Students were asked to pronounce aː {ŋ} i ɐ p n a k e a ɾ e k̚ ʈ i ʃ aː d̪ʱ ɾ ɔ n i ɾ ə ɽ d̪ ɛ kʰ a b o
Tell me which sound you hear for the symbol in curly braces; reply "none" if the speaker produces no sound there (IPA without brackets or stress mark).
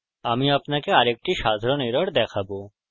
m